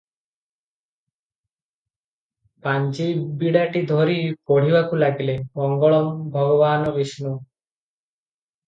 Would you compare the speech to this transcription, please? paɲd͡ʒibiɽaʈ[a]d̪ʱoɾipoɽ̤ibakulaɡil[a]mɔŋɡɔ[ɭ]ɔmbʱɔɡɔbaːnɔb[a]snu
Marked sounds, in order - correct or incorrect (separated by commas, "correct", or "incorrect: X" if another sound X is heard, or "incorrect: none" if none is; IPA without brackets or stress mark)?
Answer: incorrect: i, incorrect: e, correct, incorrect: i